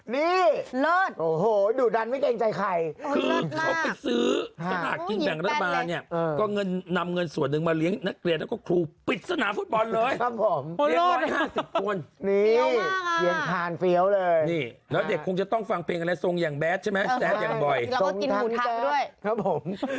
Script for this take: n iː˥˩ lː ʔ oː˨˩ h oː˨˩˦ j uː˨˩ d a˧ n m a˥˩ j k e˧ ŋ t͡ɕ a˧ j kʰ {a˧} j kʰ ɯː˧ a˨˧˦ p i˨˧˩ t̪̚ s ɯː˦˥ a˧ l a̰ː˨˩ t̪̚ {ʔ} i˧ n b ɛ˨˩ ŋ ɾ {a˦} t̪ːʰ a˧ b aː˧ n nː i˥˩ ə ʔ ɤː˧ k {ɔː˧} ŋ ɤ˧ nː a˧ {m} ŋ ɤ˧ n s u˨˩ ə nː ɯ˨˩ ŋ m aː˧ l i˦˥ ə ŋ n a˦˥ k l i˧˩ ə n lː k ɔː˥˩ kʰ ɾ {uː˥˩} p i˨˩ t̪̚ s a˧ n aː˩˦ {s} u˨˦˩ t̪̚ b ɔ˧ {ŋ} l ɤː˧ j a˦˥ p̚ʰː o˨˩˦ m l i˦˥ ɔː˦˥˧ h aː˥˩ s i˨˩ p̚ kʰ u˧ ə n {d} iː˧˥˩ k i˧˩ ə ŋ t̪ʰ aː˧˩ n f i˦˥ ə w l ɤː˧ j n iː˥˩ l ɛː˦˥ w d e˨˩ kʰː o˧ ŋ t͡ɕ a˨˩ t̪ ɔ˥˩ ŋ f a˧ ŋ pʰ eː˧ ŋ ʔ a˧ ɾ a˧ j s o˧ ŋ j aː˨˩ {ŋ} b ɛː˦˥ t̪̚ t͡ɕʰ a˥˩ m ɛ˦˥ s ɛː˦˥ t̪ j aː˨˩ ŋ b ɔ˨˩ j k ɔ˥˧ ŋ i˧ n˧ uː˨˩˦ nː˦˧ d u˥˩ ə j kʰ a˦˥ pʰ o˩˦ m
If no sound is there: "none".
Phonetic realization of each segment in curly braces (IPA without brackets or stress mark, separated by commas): a˧, k, a˦, ɔː˥˩, m, uː˧, f, n, n, ŋ